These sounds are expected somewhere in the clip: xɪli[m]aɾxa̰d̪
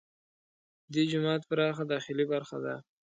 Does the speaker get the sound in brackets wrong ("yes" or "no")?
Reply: yes